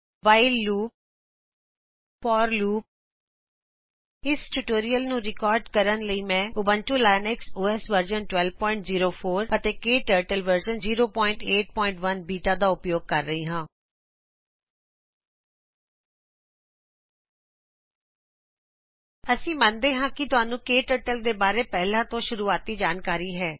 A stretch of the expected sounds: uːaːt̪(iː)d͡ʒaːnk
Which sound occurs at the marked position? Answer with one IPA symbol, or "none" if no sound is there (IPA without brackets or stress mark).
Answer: iː